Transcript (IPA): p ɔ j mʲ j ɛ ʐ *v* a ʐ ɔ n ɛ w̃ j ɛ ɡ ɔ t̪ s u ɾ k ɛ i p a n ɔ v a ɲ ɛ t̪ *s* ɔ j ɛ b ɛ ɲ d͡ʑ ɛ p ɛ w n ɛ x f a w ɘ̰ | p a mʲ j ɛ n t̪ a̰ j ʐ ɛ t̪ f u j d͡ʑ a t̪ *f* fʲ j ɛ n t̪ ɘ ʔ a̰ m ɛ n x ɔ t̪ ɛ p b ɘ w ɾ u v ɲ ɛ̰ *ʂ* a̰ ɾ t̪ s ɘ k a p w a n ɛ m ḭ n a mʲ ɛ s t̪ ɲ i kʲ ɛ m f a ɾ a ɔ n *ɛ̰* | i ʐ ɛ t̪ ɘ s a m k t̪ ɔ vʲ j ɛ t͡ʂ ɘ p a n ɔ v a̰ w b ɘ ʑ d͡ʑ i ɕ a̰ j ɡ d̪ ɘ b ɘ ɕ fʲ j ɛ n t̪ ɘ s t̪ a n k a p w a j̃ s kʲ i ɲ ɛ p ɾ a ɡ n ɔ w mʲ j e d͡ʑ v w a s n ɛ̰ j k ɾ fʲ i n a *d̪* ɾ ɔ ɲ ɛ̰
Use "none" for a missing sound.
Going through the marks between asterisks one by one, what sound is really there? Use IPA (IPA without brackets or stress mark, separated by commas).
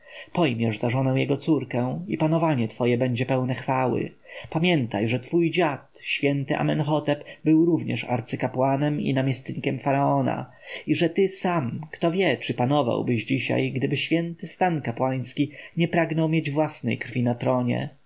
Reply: z, f, ɕ, ʂ, a̰, t̪